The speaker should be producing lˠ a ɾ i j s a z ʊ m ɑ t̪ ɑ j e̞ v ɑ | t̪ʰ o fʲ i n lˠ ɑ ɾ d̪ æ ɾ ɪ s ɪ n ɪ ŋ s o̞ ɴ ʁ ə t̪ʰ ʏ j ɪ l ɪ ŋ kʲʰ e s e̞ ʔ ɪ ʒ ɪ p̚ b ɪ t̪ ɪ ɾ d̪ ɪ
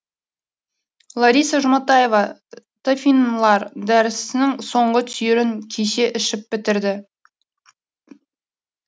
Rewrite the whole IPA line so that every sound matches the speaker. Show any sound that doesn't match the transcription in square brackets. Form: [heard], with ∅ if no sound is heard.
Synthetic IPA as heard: lˠ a ɾ i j s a [ʒ] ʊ m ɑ t̪ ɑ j e̞ v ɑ | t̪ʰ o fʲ i n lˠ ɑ ɾ d̪ æ ɾ ɪ s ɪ n ɪ ŋ s o̞ ɴ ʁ ə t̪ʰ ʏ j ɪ [ɾ] ɪ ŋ kʲʰ e [ʃ] e̞ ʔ ɪ [ʃ] ɪ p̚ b ɪ t̪ ɪ ɾ d̪ ɪ